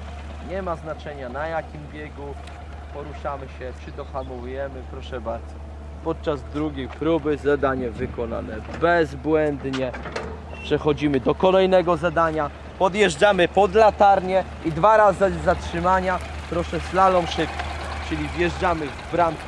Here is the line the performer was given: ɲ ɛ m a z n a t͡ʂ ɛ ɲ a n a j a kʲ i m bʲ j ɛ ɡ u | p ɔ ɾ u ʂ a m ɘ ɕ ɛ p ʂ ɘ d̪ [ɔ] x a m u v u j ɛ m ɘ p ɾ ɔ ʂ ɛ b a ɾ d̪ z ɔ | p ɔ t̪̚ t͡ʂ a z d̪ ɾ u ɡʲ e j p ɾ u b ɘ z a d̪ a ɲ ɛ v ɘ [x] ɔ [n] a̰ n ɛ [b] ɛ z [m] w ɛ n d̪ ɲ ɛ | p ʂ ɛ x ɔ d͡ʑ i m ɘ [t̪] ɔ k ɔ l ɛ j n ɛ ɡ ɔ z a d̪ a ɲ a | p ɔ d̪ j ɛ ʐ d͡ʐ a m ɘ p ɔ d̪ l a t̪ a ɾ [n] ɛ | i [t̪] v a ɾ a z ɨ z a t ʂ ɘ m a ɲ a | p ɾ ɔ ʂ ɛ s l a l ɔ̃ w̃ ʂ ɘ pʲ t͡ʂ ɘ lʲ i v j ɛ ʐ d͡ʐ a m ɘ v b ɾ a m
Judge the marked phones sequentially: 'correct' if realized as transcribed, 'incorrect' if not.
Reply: correct, incorrect: k, correct, correct, incorrect: b, incorrect: d̪, incorrect: ɲ, incorrect: d̪

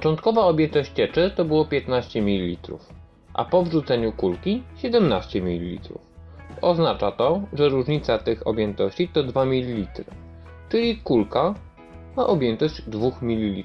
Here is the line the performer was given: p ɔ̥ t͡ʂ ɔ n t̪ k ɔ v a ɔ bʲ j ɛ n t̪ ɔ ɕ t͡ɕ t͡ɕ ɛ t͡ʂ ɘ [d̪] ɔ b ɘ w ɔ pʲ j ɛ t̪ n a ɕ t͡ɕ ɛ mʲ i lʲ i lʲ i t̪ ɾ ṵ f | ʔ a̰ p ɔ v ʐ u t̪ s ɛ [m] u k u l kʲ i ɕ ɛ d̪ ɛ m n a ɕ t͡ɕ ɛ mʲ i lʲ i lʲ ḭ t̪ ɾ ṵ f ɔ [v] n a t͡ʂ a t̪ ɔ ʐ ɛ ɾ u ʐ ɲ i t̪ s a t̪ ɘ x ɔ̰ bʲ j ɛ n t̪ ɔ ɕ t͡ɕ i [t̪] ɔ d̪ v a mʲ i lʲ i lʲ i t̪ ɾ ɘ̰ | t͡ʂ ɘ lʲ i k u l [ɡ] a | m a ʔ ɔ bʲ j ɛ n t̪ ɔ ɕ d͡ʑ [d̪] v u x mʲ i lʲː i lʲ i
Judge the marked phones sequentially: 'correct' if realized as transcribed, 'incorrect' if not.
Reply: incorrect: t̪, incorrect: ɲ, incorrect: z, correct, incorrect: k, correct

